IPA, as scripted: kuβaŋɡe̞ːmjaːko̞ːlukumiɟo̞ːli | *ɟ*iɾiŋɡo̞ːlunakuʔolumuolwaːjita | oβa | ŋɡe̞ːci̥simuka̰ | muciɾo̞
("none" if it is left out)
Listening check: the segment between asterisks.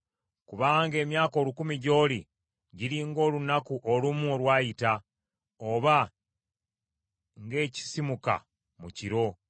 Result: ɟ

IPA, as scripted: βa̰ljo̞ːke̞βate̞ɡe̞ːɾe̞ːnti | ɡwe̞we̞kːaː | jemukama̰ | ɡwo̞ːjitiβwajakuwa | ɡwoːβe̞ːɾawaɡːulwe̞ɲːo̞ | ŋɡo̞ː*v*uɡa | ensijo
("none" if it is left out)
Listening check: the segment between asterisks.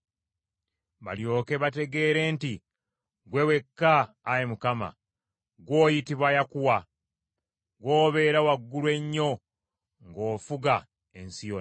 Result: f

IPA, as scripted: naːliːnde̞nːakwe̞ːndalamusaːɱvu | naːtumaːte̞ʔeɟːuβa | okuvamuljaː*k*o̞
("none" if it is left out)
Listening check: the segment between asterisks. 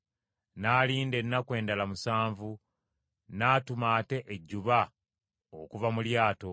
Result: t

